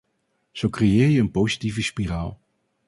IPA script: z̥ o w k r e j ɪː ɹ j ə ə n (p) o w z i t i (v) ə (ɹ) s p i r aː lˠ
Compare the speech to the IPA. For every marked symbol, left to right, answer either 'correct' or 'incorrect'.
correct, correct, incorrect: none

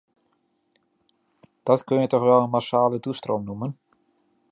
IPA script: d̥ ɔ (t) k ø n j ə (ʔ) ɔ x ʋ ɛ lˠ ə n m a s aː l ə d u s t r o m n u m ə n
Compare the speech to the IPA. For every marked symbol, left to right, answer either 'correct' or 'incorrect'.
correct, incorrect: t

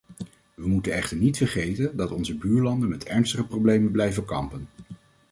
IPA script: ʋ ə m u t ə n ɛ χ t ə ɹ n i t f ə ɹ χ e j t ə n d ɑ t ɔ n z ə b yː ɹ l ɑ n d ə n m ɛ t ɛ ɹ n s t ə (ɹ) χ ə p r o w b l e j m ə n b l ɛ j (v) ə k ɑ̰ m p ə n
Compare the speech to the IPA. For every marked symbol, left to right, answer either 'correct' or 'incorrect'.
incorrect: none, correct

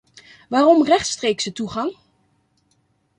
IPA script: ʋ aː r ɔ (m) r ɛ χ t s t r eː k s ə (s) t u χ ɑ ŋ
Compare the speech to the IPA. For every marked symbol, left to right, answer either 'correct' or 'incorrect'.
correct, incorrect: none

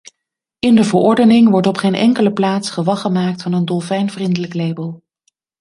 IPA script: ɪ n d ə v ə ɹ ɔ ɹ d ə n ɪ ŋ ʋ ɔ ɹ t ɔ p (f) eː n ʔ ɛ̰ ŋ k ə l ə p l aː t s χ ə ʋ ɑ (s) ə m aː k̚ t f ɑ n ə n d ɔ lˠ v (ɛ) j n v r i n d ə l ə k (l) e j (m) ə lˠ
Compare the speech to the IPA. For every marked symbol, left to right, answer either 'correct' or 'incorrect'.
incorrect: χ, incorrect: χ, correct, correct, incorrect: b

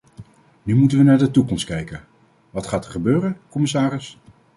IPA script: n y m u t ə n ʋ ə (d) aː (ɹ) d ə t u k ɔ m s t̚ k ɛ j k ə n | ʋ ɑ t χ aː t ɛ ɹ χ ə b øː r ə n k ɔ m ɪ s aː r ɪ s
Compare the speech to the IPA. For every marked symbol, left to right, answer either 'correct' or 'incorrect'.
incorrect: n, correct

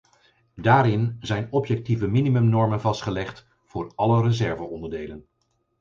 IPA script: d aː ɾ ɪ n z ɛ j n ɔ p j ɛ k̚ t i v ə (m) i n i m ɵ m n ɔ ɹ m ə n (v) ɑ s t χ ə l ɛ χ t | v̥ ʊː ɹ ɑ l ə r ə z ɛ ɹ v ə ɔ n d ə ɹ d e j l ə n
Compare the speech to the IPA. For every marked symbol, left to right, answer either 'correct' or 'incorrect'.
correct, correct

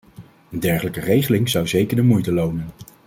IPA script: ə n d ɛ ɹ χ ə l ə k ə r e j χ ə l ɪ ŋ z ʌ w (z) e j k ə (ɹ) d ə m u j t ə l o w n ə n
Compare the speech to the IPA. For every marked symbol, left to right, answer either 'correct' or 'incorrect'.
correct, correct

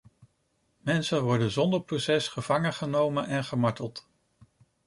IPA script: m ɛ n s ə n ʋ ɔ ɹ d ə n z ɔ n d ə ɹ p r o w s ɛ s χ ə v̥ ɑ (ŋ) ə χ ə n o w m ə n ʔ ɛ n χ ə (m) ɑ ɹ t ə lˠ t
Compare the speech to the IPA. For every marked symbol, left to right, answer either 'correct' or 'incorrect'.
correct, correct

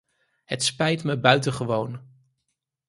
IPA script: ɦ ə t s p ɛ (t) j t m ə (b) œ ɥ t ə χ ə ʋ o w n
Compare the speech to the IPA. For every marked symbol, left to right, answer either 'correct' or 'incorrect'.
incorrect: none, correct

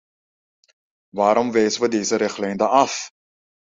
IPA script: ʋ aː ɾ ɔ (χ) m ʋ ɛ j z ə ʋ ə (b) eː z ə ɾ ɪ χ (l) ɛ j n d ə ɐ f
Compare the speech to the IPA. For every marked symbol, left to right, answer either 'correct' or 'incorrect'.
incorrect: none, incorrect: d, correct

